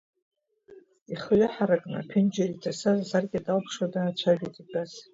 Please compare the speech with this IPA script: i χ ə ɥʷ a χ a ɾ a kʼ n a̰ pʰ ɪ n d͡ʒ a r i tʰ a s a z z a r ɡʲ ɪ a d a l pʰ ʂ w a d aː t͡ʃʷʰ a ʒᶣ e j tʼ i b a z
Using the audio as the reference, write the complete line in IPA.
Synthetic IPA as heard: i χ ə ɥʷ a ħ a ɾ a kʼ n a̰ pʰ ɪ n d͡ʒ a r i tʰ a s a z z a r ɡʲ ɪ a d a l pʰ ʂ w a d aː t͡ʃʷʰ a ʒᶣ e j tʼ i b a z